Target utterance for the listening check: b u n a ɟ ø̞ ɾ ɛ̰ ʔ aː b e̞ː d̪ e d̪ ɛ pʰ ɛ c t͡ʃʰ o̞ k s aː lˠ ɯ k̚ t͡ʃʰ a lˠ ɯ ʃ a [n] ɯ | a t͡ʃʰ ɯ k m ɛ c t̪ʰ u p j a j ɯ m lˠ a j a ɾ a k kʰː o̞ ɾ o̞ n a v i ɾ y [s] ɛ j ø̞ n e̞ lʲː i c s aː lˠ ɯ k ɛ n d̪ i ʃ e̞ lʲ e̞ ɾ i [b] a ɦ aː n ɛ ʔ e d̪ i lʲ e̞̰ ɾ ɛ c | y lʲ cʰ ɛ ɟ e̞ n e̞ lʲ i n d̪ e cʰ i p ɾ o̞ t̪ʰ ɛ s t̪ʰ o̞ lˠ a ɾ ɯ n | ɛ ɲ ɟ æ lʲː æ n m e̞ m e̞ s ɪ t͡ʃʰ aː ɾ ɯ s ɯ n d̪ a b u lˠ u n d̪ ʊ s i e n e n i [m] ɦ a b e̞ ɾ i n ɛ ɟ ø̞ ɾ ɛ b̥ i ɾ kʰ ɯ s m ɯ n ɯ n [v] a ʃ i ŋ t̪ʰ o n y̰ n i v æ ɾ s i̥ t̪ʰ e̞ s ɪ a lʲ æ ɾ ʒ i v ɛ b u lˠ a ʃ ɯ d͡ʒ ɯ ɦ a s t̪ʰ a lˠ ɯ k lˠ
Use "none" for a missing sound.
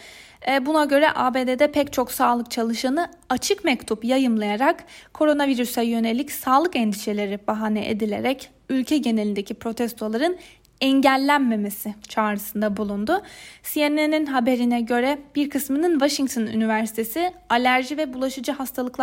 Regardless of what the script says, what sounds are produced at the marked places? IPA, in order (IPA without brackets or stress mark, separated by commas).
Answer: n, s, b, n, v